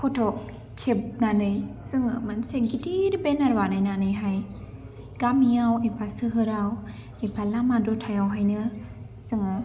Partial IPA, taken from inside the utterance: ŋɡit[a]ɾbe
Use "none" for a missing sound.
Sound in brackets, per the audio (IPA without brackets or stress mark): i